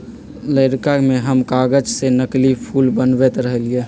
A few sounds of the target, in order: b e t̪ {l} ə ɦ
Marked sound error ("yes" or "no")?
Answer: yes